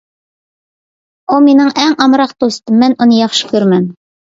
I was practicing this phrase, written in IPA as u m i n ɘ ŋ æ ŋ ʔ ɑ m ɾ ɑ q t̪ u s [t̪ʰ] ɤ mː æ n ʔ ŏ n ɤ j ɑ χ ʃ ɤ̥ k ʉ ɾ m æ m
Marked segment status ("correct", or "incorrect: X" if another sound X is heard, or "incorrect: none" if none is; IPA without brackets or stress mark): incorrect: t̪